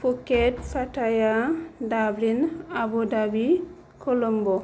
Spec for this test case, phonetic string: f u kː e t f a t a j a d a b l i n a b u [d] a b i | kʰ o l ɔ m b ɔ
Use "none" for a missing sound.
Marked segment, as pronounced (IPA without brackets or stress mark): d